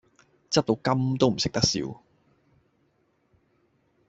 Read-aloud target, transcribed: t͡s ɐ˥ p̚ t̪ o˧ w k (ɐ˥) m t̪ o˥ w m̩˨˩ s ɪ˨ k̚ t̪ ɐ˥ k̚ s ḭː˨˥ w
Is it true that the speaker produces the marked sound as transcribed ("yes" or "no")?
yes